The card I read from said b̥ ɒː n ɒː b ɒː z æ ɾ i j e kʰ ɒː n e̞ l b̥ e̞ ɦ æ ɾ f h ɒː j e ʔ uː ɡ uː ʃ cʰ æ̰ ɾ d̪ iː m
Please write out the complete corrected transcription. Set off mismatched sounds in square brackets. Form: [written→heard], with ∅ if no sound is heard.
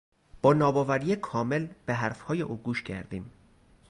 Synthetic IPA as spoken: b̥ ɒː n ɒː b ɒː [z→v] æ ɾ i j e kʰ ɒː [n→m] e̞ l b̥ e̞ ɦ æ ɾ f h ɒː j e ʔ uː ɡ uː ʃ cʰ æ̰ ɾ d̪ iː m